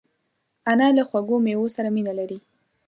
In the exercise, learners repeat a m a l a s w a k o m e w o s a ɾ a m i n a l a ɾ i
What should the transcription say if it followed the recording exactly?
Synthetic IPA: a n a l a x w a ɡ o m e w o s a ɾ a m i n a l a ɾ i